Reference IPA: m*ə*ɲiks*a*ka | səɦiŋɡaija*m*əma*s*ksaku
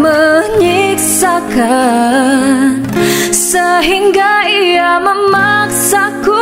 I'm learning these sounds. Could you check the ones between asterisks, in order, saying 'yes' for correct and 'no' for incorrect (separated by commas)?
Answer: yes, yes, yes, no